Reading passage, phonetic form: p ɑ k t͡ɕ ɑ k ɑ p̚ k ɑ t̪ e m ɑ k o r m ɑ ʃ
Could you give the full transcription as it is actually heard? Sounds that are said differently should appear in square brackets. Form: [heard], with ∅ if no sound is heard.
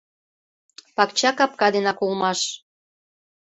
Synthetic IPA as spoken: p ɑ k t͡ɕ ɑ k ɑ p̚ k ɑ [d̪] e [n] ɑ k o [l] m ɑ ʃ